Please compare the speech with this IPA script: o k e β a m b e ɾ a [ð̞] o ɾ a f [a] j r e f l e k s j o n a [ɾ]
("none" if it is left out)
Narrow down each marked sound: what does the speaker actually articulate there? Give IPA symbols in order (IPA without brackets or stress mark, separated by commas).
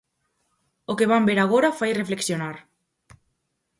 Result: ɣ̞, a, ɾ